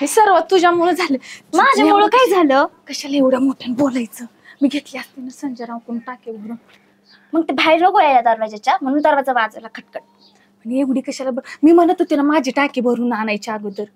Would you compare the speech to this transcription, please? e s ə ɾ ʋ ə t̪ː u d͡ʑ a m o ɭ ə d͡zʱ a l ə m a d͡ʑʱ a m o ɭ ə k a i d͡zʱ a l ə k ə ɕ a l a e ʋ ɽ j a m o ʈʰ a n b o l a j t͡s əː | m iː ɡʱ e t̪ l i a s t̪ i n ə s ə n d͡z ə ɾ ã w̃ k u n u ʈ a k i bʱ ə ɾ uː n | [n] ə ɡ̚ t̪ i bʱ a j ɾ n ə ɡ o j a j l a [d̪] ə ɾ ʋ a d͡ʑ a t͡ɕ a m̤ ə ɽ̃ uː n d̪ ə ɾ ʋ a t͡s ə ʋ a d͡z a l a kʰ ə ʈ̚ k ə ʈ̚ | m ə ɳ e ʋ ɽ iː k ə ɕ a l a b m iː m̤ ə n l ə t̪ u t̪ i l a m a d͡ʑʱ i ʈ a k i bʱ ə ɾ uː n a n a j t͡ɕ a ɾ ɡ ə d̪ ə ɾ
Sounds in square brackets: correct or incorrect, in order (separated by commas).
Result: incorrect, correct